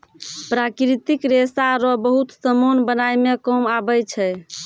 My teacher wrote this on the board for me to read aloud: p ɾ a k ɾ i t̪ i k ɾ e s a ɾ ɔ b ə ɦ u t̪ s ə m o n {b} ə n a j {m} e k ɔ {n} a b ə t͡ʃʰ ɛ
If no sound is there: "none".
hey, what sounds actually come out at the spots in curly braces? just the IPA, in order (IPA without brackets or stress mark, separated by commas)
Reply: b, m, m